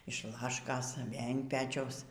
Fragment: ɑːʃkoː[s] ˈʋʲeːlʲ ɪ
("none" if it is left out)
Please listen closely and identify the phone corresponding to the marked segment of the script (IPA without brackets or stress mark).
s